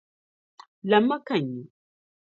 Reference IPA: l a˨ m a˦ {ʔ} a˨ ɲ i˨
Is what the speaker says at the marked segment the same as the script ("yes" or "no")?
no